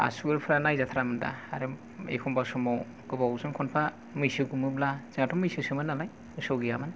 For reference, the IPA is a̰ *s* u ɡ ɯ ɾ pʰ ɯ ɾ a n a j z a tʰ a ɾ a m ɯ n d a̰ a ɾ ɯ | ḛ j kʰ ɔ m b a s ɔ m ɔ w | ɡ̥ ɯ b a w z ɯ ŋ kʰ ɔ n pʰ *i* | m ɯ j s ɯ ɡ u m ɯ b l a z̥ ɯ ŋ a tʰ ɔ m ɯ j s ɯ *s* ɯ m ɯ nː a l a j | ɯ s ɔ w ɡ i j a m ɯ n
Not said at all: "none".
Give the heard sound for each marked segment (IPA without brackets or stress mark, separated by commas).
s, a, s